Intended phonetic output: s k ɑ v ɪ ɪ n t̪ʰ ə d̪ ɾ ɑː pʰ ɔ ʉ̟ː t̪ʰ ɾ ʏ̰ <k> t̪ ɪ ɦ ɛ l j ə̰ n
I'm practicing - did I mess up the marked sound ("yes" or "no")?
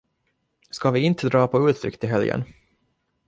no